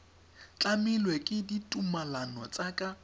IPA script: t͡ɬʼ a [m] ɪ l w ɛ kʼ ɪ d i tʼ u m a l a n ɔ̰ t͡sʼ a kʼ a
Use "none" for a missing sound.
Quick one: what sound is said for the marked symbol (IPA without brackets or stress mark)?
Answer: m